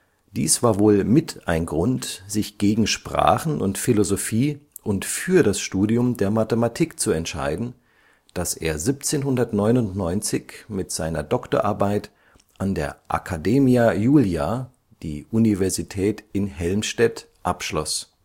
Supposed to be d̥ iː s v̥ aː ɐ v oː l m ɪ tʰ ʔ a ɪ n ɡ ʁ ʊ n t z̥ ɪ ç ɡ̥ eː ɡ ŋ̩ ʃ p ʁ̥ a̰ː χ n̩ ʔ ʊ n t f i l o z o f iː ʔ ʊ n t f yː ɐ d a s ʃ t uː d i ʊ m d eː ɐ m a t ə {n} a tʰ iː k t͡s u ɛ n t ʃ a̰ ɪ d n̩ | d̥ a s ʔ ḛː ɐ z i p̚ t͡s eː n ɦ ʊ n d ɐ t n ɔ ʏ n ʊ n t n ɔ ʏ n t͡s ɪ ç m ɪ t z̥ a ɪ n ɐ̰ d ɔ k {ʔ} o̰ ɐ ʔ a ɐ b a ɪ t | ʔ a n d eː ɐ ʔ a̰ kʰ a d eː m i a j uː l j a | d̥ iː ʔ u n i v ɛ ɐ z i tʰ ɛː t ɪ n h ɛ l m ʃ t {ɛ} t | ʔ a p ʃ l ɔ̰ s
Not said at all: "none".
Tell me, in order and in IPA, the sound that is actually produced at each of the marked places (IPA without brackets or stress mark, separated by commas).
m, t, ɛ